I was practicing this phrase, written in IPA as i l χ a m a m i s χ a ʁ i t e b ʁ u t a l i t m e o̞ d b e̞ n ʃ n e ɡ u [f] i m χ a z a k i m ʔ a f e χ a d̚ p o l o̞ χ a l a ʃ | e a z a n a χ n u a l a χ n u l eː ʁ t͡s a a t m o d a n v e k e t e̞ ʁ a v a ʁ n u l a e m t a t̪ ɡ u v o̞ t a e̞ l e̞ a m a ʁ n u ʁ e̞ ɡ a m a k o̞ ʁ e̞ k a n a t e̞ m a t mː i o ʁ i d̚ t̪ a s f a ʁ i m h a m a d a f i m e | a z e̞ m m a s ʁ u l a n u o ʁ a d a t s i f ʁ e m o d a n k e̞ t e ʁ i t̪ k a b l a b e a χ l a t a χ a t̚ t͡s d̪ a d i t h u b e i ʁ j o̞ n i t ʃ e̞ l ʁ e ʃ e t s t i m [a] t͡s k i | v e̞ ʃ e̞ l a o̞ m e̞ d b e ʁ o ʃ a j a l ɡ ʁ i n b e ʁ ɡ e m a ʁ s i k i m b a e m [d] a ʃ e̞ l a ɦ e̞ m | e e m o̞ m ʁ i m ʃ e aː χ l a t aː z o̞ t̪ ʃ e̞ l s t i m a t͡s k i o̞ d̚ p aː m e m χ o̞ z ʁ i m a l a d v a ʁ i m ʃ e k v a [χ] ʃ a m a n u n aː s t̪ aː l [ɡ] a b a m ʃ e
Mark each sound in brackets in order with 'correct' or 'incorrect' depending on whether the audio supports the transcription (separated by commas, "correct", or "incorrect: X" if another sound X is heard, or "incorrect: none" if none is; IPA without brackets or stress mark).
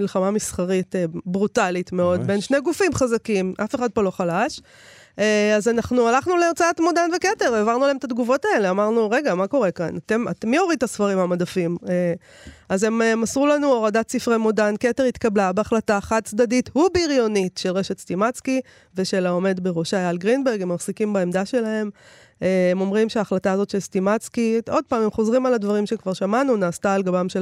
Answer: correct, correct, correct, incorrect: ʁ, correct